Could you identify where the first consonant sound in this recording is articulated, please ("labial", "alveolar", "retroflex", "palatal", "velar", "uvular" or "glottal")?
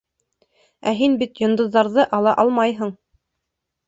glottal